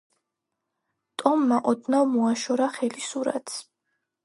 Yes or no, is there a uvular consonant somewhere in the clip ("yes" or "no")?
yes